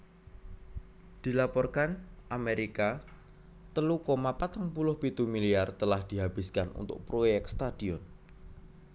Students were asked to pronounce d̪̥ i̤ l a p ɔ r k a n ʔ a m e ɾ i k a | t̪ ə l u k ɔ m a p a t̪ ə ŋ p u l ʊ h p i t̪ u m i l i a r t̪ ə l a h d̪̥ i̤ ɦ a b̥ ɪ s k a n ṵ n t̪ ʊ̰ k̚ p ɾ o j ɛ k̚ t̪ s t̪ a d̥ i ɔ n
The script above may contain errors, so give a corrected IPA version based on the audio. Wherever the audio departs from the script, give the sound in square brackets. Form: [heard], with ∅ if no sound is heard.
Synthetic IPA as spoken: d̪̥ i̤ l a p ɔ r k a n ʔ a m e ɾ i k a | t̪ ə l u k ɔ m a p a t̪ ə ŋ p u l ʊ h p i t̪ u m i l i a r t̪ ə l a h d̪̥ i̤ ɦ a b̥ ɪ s k a n ṵ n t̪ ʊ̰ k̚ p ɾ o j ɛ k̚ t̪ s t̪ a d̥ i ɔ n